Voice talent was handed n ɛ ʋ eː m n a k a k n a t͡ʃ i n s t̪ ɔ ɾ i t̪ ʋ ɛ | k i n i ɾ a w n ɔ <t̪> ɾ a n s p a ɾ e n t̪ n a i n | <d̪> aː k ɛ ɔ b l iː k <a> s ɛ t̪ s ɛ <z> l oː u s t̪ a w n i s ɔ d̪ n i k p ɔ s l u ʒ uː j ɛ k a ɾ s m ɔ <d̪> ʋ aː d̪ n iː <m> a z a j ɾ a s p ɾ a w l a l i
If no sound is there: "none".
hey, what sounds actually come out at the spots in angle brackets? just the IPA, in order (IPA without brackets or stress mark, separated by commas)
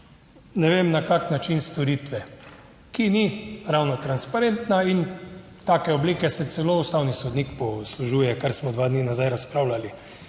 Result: t̪, t̪, ɛ, none, d̪, n